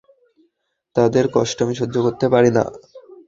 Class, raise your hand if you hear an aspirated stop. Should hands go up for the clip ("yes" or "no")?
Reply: no